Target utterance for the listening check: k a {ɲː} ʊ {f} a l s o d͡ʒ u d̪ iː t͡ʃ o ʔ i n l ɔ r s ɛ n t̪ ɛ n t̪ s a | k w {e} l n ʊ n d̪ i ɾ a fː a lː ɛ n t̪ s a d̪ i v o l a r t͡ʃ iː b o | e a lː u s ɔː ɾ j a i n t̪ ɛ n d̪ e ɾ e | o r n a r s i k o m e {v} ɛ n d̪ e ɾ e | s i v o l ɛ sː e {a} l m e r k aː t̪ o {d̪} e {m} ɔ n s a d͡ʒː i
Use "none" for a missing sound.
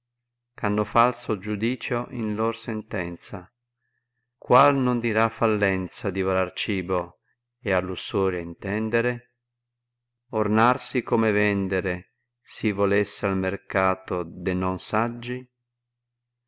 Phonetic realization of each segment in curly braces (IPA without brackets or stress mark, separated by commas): nː, f, a, v, a, d̪, n